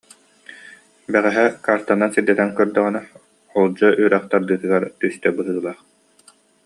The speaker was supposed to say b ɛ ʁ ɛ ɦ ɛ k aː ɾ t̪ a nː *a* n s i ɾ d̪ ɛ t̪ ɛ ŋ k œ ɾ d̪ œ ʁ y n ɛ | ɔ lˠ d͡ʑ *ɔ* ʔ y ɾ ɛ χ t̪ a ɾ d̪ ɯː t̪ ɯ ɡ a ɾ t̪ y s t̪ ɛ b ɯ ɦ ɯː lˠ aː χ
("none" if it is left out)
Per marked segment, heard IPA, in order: a, ɔ

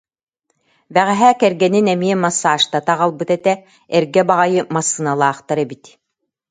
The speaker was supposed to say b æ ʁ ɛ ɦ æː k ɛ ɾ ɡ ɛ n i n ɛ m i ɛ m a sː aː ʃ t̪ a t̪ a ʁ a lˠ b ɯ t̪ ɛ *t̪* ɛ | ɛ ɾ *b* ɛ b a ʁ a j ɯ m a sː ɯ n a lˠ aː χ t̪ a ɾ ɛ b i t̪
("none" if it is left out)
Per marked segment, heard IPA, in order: t̪, ɡ

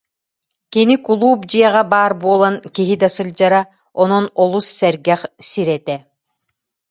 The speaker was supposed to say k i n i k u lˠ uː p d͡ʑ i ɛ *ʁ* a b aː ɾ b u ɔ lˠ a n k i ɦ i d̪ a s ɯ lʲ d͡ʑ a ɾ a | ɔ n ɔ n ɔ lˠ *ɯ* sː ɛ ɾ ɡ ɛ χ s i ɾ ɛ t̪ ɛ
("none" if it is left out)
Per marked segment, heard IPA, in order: ʁ, u

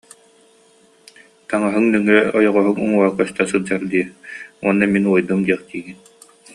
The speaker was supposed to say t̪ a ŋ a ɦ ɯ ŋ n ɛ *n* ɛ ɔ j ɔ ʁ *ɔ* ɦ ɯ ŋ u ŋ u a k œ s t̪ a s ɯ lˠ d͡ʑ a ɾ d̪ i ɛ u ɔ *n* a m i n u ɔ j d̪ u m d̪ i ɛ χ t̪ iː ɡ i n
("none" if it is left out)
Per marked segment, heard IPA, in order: ŋ, ɔ, nː

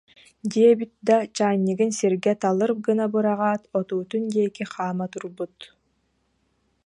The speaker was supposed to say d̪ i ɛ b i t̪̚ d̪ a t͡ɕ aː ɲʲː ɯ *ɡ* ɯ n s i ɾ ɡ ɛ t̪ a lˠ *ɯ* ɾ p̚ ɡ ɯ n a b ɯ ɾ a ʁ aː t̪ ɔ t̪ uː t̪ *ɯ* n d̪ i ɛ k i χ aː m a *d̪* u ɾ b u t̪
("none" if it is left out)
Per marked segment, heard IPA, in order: ɡ, ɯ, u, t̪

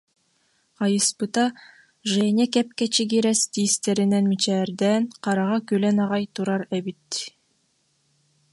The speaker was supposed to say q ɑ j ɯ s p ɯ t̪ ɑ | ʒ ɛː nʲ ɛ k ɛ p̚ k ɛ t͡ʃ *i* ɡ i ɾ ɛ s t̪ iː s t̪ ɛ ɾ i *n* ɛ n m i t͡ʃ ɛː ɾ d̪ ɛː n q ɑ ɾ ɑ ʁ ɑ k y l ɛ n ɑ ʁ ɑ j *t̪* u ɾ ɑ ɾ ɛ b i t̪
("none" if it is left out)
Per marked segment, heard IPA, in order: i, n, t̪

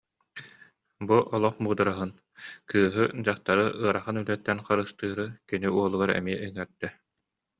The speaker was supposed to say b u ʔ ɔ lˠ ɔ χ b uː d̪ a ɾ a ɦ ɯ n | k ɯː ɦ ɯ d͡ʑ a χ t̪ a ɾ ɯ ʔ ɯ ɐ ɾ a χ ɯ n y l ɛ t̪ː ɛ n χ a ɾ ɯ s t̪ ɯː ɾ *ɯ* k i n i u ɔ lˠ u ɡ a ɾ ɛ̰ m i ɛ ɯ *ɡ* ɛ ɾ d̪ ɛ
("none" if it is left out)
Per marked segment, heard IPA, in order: ɯ, ŋ

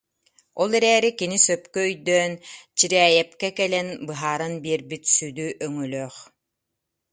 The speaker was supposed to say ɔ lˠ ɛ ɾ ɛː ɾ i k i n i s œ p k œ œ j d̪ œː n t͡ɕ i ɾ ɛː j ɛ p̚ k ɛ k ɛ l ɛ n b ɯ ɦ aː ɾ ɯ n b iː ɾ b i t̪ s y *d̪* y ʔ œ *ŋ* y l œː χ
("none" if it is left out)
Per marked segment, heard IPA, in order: d̪, ŋ

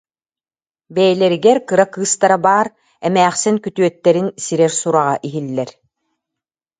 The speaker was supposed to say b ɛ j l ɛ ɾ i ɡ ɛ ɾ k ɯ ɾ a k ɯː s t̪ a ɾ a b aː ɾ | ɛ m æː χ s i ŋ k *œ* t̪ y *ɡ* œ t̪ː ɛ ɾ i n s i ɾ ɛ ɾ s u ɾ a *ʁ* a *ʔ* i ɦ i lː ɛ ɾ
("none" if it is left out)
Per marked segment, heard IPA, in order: y, none, ʁ, ʔ

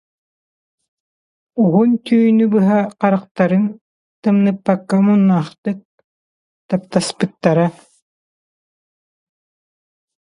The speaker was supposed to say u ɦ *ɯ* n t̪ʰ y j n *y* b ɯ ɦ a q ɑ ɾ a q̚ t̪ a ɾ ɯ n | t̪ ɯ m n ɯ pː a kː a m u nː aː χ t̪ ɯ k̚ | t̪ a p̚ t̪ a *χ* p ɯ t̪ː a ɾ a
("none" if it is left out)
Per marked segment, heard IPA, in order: u, y, s

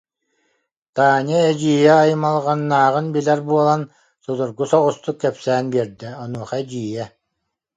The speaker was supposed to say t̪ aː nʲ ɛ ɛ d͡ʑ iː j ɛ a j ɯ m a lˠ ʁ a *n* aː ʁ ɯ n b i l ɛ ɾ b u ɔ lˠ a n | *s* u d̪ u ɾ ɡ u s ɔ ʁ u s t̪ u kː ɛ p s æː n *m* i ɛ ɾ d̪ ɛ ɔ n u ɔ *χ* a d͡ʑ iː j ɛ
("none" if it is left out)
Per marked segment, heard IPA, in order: nː, s, b, χ

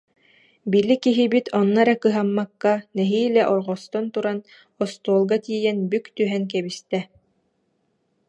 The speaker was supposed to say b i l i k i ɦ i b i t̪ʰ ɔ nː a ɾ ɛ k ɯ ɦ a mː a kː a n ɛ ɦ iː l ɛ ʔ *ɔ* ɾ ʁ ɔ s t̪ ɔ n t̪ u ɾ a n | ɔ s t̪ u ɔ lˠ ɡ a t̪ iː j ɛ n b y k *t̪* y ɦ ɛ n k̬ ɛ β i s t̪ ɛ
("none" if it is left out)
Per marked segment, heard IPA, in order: ɔ, t̪

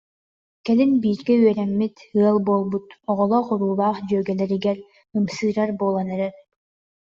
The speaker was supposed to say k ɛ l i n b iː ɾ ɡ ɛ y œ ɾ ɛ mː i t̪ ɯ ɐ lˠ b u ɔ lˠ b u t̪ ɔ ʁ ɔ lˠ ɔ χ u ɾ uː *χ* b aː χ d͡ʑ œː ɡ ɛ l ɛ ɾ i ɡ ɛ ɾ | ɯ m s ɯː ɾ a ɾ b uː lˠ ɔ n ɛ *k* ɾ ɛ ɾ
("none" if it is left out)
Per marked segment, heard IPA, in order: none, none

